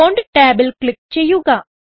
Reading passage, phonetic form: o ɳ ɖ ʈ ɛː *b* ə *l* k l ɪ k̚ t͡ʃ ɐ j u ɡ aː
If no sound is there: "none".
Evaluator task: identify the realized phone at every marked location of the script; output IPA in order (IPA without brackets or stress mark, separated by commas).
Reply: b, l